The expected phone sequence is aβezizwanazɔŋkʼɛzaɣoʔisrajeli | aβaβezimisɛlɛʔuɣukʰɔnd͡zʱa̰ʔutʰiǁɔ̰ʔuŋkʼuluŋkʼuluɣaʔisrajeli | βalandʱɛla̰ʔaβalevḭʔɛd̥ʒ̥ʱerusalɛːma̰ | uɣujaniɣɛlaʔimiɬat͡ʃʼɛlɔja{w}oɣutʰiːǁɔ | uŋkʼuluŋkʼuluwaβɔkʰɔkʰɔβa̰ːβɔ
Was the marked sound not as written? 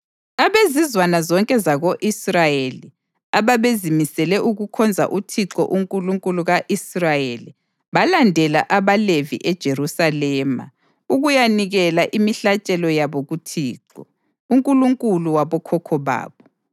yes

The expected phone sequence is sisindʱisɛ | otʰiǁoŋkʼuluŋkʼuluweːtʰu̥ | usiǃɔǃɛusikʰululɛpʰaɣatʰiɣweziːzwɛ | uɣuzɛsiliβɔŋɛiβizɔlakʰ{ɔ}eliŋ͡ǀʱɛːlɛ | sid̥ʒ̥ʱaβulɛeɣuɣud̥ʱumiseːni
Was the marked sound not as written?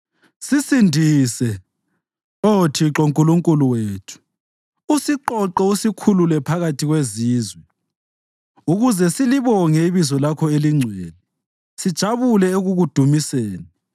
no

